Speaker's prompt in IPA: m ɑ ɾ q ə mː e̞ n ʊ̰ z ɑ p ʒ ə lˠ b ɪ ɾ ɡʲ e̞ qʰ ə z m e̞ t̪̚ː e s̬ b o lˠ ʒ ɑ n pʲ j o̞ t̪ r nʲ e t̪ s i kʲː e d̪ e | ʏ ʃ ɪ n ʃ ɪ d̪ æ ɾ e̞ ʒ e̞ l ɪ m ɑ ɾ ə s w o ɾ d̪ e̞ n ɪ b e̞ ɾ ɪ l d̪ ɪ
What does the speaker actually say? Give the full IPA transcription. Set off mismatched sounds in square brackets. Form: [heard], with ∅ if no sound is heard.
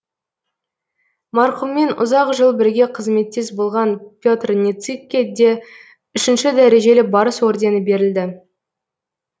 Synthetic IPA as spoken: m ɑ ɾ q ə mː e̞ n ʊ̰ z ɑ [q] ʒ ə lˠ b ɪ ɾ ɡʲ e̞ qʰ ə z m e̞ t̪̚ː e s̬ b o lˠ [ʁ] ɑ n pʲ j o̞ t̪ r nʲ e t̪ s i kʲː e d̪ e | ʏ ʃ ɪ n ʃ ɪ d̪ æ ɾ e̞ ʒ e̞ l ɪ [b] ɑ ɾ ə s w o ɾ d̪ e̞ n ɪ b e̞ ɾ ɪ l d̪ ɪ

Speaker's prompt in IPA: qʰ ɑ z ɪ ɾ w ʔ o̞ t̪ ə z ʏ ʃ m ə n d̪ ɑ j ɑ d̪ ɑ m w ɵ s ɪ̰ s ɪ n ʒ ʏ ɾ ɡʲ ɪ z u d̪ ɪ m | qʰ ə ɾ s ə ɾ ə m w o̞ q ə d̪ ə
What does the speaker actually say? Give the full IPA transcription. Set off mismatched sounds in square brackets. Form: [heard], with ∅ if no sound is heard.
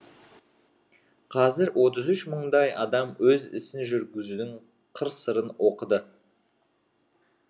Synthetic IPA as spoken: qʰ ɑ z ɪ ɾ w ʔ o̞ t̪ ə z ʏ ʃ m ə [ɴ] d̪ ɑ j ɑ d̪ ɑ m w ɵ [z] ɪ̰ s ɪ n ʒ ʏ ɾ ɡʲ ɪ z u d̪ ɪ [ŋ] | qʰ ə ɾ s ə ɾ ə [n] w o̞ q ə d̪ ə

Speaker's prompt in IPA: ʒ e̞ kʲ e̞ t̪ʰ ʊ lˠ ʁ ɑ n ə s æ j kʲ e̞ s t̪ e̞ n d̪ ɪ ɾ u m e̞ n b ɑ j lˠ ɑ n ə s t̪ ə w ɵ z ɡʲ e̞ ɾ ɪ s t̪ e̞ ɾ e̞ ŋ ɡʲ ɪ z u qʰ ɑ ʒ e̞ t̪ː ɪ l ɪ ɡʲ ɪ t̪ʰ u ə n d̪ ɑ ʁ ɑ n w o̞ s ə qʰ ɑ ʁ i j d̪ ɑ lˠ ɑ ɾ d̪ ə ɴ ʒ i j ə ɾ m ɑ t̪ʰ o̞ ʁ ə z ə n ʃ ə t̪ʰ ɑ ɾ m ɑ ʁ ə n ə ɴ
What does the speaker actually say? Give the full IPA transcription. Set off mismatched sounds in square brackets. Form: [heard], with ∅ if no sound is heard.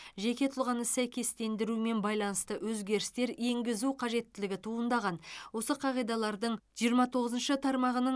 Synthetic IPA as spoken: ʒ e̞ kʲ e̞ t̪ʰ ʊ lˠ ʁ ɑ n ə s æ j kʲ e̞ s t̪ e̞ n d̪ ɪ ɾ u m e̞ n b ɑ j lˠ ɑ n ə s t̪ ə w ɵ z ɡʲ e̞ ɾ ɪ s t̪ e̞ ɾ e̞ ŋ ɡʲ ɪ z u qʰ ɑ ʒ e̞ t̪ː ɪ l ɪ ɡʲ ɪ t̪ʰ u ə n d̪ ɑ ʁ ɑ n w o̞ s ə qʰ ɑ ʁ i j d̪ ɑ lˠ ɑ ɾ d̪ ə ɴ ʒ i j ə ɾ m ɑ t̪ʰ o̞ ʁ ə z ə n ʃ ə t̪ʰ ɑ ɾ m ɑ ʁ ə n ə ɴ

